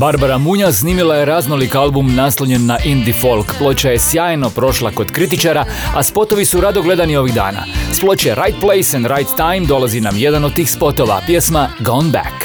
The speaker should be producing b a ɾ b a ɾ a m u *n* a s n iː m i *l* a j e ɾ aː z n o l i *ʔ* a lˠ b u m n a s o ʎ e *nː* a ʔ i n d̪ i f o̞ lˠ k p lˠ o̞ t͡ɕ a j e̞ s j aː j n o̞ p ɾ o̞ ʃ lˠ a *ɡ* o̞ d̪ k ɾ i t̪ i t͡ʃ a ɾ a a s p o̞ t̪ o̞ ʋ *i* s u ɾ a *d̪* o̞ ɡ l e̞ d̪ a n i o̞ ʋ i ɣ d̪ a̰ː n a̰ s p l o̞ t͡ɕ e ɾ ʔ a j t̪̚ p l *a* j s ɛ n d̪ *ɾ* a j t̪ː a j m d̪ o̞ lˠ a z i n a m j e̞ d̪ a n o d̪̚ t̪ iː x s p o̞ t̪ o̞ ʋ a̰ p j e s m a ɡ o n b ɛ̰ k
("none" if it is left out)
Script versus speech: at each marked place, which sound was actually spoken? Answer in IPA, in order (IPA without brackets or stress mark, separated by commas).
ɲ, l, k, nː, k, i, d̪, e, ɾ